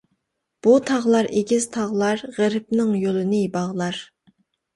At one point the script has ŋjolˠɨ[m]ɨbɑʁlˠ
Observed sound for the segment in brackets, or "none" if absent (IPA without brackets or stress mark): n